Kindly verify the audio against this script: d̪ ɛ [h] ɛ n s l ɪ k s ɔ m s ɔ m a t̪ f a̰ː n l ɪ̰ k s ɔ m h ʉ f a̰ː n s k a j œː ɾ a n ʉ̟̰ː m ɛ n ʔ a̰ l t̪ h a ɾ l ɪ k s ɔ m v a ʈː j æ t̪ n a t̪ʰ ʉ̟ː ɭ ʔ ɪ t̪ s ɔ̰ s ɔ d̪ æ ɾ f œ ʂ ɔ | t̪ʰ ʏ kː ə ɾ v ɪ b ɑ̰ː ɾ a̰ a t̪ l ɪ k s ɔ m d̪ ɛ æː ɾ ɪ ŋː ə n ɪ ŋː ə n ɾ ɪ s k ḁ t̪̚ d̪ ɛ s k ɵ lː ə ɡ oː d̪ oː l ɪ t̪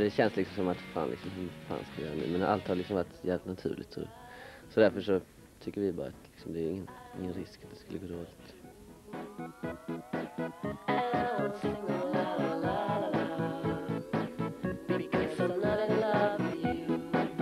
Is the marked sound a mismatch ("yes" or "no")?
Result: yes